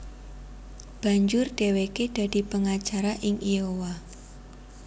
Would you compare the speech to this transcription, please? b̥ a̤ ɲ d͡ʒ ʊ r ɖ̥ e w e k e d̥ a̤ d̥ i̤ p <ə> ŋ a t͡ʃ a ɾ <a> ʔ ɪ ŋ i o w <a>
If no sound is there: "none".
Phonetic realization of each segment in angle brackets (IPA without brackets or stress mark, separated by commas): ə, a, a